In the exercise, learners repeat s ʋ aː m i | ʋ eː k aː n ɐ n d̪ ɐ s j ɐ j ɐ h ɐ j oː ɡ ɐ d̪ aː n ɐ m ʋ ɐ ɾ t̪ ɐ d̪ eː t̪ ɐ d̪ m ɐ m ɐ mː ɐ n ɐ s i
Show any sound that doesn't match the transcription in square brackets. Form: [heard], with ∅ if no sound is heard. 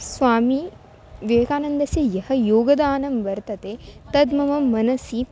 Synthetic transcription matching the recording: s ʋ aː m i | ʋ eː k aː n ɐ n d̪ ɐ s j ɐ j ɐ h ɐ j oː ɡ ɐ d̪ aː n ɐ m ʋ ɐ ɾ t̪ ɐ [t̪] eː t̪ ɐ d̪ m ɐ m ɐ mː ɐ n ɐ s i